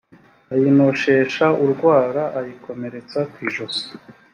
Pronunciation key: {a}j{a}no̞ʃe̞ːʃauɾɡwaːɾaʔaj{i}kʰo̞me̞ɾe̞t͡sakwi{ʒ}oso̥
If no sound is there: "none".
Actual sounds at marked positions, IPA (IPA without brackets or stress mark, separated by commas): a, i, i, ʒ